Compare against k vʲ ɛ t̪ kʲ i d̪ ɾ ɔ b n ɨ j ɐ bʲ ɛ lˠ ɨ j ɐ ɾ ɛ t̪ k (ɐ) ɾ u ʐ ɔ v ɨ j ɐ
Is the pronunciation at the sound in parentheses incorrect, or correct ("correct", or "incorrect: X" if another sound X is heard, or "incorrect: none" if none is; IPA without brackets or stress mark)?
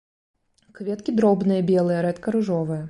correct